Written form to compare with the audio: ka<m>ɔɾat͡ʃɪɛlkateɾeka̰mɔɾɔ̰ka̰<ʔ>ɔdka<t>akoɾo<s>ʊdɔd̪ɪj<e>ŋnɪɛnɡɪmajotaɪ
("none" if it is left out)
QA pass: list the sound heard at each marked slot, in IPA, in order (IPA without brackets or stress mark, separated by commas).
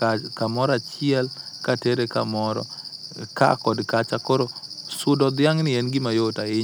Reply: m, k, t͡ʃ, s, a